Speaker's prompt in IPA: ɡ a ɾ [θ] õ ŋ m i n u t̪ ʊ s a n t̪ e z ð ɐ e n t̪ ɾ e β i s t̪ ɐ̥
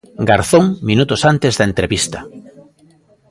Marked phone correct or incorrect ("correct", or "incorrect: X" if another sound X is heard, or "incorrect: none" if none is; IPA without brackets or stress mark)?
correct